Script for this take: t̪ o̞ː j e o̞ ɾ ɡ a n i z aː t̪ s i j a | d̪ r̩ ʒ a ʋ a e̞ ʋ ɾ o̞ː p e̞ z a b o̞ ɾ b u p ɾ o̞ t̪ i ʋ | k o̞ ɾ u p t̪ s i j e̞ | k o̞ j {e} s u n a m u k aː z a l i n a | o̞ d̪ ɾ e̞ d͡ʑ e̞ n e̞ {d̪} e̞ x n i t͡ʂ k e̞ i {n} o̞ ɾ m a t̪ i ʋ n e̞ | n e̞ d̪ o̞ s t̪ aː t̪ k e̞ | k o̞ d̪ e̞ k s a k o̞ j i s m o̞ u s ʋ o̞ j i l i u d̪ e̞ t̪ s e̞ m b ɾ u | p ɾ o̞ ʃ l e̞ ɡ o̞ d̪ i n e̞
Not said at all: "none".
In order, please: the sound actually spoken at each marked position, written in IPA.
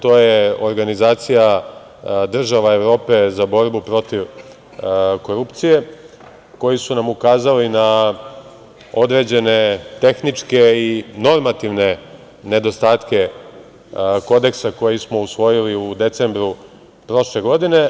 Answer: i, t̪, n

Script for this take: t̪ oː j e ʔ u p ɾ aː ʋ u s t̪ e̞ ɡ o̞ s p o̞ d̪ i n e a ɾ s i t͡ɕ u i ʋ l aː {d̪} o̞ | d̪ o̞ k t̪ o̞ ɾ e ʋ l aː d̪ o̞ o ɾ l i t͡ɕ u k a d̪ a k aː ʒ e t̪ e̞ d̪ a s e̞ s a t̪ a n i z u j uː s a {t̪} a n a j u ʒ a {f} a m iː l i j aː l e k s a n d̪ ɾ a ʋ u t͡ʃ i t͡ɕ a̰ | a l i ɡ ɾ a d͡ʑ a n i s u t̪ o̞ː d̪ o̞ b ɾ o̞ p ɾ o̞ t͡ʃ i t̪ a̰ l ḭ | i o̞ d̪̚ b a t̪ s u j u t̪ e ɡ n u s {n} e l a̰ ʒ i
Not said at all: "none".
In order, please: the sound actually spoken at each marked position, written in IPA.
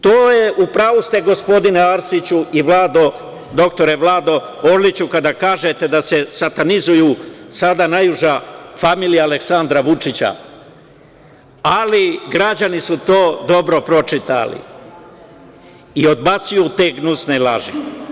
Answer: d̪, d̪, f, n

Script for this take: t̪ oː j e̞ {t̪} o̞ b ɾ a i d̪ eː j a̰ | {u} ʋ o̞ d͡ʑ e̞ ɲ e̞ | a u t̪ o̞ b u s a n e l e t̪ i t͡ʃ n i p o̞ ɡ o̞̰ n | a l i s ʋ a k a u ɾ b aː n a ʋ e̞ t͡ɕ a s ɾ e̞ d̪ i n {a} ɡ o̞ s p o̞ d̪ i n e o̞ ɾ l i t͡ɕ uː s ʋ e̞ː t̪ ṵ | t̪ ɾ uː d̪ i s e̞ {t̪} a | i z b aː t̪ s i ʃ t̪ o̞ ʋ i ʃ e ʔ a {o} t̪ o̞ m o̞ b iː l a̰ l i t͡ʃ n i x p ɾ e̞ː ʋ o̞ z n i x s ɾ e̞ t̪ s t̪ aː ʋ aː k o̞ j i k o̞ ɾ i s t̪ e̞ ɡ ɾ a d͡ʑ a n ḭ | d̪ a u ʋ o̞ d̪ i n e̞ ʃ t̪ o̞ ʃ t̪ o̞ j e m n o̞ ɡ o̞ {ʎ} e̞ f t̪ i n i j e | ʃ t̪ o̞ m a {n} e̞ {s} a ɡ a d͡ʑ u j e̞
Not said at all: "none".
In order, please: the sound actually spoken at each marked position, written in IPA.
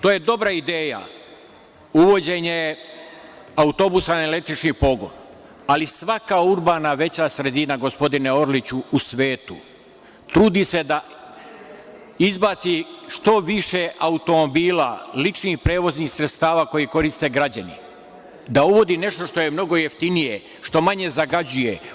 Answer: d̪, u, a, d̪, u, j, ɲ, z

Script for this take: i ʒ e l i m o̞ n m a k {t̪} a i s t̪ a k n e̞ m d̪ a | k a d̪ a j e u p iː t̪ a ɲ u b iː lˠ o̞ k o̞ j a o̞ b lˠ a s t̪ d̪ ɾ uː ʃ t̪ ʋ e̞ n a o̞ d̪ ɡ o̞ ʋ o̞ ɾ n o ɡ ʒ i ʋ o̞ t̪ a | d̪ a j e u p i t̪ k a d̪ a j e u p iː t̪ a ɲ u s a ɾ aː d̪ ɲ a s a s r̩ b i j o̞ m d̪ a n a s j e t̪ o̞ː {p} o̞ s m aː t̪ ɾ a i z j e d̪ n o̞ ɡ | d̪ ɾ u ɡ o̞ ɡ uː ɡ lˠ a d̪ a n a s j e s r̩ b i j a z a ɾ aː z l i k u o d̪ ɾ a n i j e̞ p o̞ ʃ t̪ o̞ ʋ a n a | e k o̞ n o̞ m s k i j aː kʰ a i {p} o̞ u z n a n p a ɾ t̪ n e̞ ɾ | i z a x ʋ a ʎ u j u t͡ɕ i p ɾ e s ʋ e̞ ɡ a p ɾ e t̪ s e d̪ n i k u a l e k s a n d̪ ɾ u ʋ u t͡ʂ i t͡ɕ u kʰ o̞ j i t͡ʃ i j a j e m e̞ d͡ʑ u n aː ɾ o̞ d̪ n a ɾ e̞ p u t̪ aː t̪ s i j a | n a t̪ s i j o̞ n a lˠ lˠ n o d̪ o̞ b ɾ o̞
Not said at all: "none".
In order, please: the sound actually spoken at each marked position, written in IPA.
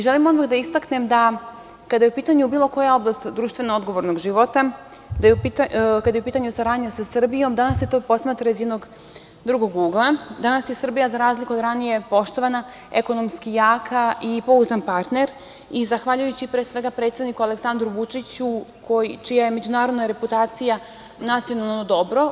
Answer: d̪, p, p

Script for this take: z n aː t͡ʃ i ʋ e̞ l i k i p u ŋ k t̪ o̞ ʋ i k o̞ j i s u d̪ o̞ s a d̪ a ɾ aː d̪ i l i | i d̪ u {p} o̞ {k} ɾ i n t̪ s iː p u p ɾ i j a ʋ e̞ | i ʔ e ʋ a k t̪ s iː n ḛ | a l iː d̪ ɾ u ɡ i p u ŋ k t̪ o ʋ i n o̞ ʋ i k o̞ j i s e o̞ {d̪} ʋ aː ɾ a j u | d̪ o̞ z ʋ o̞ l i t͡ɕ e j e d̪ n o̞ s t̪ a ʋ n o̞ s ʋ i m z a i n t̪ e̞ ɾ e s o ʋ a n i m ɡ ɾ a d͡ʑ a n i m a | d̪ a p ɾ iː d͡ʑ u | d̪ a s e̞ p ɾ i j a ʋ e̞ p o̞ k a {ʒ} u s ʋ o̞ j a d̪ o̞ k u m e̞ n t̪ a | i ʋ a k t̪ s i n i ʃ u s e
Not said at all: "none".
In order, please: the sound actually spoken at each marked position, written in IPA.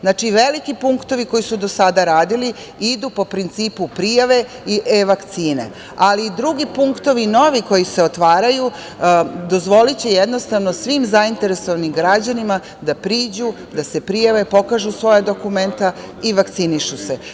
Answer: p, p, t̪, ʒ

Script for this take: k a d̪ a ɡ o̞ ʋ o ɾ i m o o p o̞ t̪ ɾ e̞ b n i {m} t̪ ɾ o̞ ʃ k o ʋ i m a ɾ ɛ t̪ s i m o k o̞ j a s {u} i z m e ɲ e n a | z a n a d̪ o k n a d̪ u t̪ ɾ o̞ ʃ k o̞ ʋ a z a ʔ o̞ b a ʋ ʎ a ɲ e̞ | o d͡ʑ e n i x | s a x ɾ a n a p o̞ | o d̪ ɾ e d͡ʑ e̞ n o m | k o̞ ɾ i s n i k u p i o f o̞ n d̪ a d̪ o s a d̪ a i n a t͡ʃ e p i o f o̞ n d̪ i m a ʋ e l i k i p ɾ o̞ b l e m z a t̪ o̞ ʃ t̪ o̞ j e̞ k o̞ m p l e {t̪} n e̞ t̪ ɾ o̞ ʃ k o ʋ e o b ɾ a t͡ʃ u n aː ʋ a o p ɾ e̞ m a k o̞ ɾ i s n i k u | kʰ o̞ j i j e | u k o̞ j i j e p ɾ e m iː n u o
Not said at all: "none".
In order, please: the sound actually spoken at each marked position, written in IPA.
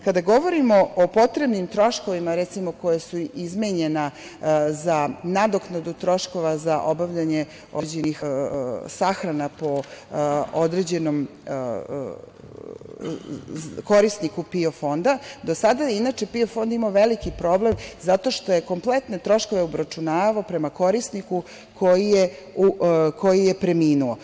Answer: m, u, t̪

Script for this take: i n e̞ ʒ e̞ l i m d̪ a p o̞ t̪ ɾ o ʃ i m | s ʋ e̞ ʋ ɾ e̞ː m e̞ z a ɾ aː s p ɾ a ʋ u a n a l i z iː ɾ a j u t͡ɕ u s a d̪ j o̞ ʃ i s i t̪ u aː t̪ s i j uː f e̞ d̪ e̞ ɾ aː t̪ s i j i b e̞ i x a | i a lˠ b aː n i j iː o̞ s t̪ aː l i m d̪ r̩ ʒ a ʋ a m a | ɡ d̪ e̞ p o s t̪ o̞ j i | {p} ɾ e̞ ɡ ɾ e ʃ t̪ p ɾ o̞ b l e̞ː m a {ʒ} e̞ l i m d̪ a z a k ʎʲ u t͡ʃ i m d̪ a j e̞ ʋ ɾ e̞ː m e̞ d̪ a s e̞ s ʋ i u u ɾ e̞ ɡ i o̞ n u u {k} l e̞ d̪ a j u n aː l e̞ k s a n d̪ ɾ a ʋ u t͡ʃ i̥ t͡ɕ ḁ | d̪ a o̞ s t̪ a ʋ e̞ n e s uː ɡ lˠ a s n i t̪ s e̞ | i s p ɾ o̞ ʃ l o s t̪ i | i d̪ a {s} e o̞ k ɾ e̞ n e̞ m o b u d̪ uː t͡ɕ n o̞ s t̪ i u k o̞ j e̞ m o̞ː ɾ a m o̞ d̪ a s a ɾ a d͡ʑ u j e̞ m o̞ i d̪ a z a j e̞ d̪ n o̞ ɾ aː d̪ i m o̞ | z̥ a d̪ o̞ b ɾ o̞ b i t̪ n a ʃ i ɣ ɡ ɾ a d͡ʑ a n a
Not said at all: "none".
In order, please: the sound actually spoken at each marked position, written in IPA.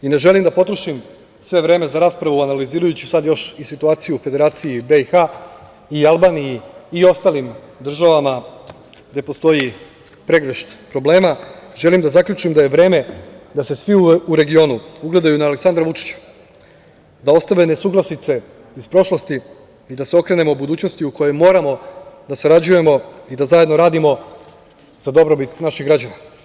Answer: p, ʒ, ɡ, s

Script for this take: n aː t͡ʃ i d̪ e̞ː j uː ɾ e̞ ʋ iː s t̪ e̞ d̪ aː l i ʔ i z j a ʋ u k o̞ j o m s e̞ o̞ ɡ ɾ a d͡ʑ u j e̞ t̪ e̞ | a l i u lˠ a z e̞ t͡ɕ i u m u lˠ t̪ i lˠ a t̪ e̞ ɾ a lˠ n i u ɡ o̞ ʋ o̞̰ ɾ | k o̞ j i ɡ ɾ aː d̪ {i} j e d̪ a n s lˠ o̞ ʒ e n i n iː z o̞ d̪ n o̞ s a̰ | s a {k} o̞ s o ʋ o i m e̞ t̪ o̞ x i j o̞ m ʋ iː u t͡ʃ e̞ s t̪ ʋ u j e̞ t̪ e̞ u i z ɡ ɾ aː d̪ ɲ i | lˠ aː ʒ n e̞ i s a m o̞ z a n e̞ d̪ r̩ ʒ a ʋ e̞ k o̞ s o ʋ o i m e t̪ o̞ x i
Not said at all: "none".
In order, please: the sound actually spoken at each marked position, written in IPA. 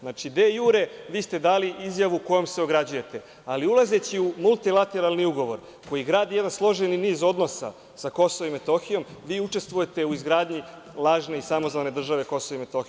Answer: i, k

